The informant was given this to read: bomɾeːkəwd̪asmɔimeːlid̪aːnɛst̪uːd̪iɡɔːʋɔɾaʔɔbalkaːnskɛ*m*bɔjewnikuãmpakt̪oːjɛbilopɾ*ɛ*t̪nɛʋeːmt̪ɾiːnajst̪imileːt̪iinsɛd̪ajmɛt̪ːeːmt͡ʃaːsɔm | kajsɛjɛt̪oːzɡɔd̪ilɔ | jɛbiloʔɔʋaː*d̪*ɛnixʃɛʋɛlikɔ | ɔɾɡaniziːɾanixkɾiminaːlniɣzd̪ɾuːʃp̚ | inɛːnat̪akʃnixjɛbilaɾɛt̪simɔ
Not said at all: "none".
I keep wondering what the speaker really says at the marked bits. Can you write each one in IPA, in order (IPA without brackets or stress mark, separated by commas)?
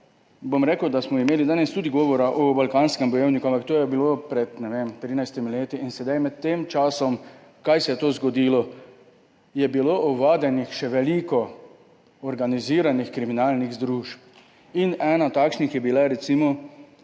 m, ɛ, d̪